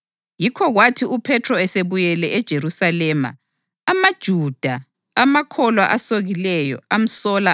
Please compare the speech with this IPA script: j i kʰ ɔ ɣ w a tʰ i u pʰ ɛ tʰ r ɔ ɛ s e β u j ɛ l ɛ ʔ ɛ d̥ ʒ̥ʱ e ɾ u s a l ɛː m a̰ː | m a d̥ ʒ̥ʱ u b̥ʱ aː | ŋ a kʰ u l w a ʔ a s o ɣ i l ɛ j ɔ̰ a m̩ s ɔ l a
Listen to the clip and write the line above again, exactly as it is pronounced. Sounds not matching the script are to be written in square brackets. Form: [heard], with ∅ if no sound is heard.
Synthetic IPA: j i kʰ ɔ ɣ w a tʰ i u pʰ ɛ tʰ r ɔ ɛ s e β u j ɛ l ɛ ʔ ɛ d̥ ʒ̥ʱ e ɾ u s a l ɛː m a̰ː | m a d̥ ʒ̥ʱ u [d̥ʱ] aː | [m] a kʰ [ɔ] l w a ʔ a s o ɣ i l ɛ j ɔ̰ a m̩ s ɔ l a